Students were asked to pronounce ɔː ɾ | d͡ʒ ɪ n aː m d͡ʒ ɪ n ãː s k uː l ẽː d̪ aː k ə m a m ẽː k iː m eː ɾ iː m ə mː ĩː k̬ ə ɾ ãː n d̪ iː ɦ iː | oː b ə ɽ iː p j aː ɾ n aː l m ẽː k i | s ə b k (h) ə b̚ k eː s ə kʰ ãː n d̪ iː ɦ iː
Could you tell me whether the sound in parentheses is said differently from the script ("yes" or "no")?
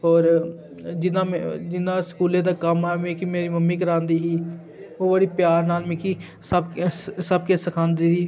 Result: yes